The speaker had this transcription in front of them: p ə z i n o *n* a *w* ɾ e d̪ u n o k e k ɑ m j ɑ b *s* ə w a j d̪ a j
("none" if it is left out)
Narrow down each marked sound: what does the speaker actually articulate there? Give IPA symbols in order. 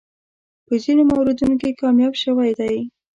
m, w, ʃ

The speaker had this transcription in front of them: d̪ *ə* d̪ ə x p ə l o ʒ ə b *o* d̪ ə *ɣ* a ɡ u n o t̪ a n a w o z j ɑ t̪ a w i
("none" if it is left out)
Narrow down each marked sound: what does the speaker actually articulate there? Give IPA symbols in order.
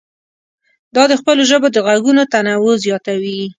ɑ, o, ɣ

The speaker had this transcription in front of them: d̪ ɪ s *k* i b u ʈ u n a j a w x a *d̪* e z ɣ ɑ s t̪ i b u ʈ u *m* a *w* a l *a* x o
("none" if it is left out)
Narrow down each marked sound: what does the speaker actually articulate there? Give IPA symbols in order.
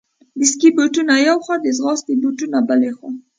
k, d̪, n, b, e

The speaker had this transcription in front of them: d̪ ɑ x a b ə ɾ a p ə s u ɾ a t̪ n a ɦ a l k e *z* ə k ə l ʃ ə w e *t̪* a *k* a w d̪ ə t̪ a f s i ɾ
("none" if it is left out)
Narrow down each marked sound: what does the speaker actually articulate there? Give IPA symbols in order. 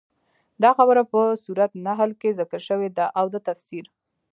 z, d̪, ʔ

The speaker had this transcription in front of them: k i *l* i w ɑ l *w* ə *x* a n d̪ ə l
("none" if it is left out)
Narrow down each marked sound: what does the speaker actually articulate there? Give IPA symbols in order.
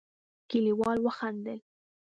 l, w, x

